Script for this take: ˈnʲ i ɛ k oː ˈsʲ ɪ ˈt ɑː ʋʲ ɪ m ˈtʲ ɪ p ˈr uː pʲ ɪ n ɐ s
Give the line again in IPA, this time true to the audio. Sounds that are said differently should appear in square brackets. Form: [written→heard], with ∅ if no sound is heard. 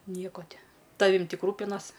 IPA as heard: ˈnʲ i ɛ k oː [ˈsʲ→ˈtʲ] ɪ ˈt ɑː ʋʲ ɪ m ˈtʲ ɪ [p→k] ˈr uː pʲ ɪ n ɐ s